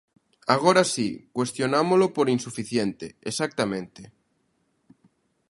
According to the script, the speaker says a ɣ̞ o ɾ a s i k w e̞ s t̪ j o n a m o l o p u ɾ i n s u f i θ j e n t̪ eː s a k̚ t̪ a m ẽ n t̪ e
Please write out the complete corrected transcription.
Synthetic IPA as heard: a ɣ̞ o ɾ a s i k w e̞ s t̪ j o n a m o l o p o ɾ i n s u f i θ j e n t̪ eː s a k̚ t̪ a m ẽ n t̪ e